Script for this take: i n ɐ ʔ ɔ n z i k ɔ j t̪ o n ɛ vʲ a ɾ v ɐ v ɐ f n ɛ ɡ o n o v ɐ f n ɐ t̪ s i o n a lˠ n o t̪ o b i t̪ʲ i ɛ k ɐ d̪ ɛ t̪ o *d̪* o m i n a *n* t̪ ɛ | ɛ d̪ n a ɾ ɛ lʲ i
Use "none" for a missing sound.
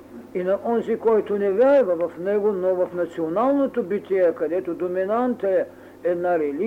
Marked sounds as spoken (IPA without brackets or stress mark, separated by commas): d̪, n